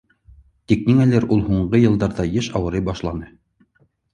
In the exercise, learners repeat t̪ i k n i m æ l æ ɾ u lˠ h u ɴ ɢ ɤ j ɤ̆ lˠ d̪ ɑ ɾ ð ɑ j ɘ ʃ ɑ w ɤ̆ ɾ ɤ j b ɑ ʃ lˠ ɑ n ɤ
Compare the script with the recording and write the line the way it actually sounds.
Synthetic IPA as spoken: t̪ i k n i ŋ æ l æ ɾ u lˠ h u ɴ ɢ ɤ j ɤ̆ lˠ d̪ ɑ ɾ ð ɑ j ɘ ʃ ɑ w ɤ̆ ɾ ɤ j b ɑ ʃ lˠ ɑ n ɤ